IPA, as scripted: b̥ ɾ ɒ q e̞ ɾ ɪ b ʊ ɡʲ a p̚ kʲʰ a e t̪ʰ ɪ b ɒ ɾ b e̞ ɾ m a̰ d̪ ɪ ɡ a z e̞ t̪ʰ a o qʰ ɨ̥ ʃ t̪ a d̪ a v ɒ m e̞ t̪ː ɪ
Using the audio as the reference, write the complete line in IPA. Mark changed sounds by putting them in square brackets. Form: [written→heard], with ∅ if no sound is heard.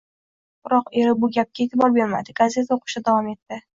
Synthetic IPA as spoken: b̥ ɾ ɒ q e̞ ɾ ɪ b ʊ ɡʲ a p̚ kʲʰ a e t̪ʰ ɪ b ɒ ɾ b e̞ ɾ m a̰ d̪ ɪ ɡ a z e̞ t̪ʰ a o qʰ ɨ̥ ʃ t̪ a d̪ a v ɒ m e̞ t̪ː ɪ